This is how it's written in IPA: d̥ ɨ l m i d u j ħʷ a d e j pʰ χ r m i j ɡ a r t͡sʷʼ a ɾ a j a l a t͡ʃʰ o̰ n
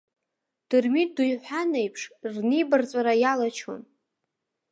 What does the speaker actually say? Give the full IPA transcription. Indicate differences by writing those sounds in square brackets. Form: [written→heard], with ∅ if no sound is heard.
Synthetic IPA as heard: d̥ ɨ [l→r] m i d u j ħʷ a [d→n] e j pʰ [χ→ʂ] r [m→n] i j [ɡ→b] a r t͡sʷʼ a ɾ a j a l a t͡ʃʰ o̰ n